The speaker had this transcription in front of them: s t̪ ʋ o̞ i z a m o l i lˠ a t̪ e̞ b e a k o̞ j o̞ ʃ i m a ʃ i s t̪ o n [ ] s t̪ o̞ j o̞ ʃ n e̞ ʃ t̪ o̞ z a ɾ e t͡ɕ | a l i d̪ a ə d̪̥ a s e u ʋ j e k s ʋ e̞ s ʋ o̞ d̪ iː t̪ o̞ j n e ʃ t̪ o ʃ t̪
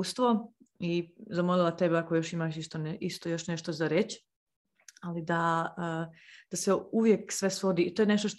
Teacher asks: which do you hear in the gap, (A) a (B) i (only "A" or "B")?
B